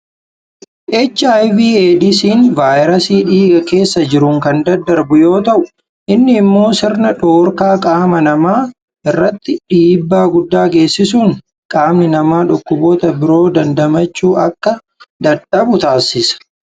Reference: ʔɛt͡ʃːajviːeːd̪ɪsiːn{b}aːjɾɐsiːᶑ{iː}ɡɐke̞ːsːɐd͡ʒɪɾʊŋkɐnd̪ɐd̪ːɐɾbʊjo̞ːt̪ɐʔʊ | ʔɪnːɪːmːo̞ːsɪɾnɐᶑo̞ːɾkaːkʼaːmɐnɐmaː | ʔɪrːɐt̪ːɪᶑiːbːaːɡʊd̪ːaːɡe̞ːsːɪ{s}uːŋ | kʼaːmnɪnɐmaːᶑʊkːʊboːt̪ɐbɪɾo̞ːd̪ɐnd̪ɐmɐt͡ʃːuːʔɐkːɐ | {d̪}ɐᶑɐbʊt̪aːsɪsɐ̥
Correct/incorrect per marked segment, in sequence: incorrect: v, correct, correct, correct

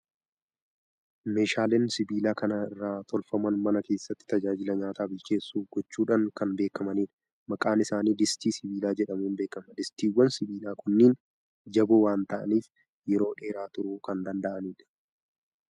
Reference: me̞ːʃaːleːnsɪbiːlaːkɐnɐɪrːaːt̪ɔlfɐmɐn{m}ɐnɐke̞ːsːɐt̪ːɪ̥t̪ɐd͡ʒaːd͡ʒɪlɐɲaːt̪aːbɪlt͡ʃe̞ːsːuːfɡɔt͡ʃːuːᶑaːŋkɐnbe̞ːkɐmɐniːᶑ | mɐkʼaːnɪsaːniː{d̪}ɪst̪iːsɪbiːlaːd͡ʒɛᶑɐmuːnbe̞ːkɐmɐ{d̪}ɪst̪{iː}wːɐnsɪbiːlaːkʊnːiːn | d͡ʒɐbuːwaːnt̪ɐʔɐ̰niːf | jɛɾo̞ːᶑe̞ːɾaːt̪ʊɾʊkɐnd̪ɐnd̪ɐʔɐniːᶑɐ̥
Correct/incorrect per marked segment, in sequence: correct, correct, correct, correct

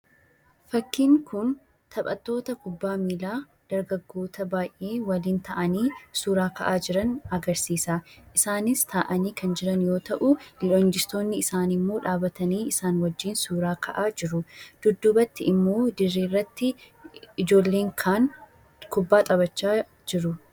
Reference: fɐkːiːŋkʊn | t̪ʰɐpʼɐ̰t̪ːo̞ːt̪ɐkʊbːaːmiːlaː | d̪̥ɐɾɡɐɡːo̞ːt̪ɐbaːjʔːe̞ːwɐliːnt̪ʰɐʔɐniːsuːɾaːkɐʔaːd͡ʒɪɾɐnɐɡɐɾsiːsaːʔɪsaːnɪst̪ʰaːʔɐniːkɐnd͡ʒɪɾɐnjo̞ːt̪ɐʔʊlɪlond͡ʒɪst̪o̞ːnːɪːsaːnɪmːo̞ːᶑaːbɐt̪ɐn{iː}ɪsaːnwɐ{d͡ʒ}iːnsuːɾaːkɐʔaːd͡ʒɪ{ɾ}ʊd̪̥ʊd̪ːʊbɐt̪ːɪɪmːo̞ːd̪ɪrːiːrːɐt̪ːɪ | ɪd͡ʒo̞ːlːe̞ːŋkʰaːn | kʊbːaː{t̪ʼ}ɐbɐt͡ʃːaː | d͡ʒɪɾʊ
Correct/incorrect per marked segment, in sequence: correct, incorrect: d͡ʒː, correct, correct

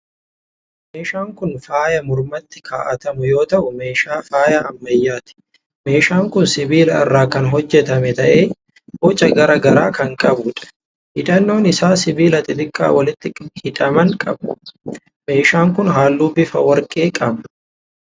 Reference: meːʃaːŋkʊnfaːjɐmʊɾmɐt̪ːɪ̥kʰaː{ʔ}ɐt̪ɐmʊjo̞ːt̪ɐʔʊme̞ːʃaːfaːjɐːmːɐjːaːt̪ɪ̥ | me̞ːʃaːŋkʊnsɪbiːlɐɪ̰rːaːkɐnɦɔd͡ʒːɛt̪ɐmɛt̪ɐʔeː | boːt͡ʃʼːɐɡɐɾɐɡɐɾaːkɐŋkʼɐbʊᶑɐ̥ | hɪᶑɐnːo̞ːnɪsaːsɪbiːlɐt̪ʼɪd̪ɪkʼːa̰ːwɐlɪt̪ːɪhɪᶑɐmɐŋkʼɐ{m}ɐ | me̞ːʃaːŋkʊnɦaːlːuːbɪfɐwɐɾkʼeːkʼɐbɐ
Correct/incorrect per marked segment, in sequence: correct, incorrect: b

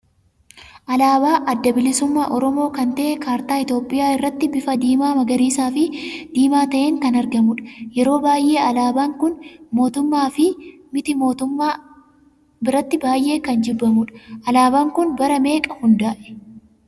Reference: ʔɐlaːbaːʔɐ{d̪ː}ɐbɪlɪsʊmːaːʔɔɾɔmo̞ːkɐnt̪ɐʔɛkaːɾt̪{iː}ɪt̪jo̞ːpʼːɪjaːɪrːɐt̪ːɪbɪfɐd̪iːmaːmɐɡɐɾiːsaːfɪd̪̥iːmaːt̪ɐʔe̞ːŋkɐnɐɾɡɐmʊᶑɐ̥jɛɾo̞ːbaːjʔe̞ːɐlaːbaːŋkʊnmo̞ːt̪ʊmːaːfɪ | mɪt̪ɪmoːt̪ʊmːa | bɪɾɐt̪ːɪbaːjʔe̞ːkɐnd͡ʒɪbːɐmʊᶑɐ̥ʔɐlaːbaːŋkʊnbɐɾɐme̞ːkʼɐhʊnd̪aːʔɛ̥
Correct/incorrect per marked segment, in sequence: correct, incorrect: aː

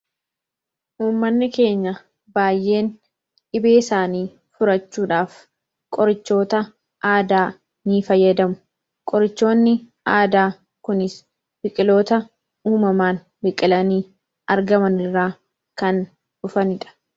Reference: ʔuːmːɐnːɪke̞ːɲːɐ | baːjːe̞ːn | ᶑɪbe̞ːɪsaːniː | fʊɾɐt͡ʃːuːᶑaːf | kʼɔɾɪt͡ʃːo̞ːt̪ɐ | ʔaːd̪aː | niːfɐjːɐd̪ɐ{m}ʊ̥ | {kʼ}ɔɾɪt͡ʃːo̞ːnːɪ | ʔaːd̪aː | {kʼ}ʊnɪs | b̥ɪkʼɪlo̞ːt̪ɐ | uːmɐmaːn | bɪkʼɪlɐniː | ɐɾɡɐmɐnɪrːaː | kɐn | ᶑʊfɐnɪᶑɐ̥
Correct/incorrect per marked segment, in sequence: correct, correct, incorrect: k

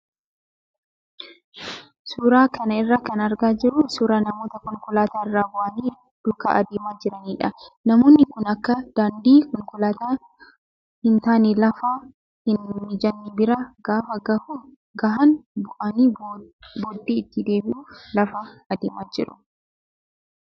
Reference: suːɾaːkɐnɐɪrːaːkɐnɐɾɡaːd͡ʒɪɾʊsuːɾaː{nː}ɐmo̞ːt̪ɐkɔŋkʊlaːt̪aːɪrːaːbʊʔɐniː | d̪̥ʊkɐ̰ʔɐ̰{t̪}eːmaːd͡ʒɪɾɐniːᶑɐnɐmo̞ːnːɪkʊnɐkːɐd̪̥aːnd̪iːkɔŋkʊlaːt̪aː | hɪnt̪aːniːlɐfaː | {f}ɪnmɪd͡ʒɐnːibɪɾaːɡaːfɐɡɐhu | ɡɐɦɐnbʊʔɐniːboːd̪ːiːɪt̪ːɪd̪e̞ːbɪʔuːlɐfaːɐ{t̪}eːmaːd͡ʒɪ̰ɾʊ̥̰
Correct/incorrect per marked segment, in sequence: incorrect: n, incorrect: d̪, incorrect: h, incorrect: d̪

